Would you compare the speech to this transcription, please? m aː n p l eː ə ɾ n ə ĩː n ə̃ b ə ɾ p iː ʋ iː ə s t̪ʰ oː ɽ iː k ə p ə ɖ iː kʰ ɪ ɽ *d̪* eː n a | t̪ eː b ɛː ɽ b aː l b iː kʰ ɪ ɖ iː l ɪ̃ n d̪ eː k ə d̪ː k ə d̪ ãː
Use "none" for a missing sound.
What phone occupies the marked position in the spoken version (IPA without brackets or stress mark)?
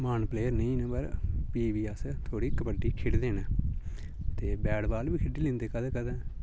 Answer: d̪